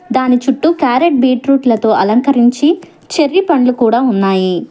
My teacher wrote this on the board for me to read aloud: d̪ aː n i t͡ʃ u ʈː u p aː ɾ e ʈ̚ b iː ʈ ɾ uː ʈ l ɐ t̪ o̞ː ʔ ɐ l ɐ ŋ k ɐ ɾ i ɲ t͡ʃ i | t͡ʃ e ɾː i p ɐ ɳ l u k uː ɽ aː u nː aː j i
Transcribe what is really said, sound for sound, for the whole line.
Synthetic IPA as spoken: d̪ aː n i t͡ʃ u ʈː u k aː ɾ e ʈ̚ b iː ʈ ɾ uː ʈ l ɐ t̪ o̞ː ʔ ɐ l ɐ ŋ k ɐ ɾ i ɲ t͡ʃ i | t͡ʃ e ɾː i p ɐ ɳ l u k uː ɽ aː u nː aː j i